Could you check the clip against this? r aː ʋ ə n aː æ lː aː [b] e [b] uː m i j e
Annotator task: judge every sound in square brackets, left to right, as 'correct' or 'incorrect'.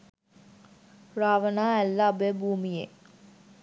correct, correct

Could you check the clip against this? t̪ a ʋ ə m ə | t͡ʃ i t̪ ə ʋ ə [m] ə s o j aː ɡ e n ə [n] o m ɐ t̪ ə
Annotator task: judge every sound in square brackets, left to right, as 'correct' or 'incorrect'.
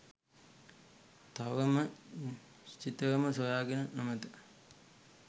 correct, correct

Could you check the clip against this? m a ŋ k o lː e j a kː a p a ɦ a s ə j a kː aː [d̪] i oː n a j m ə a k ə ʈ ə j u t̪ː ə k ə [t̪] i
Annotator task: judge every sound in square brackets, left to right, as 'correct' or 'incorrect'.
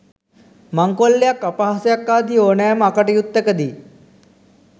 correct, incorrect

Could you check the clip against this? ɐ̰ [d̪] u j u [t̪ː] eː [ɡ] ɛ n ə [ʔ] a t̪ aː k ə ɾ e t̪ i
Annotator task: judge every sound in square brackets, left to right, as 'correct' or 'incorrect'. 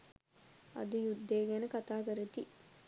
correct, incorrect, correct, incorrect

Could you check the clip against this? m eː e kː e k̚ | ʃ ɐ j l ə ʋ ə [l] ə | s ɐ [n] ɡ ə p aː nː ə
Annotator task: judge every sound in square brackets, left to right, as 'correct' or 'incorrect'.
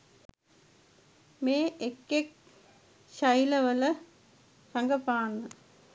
correct, incorrect

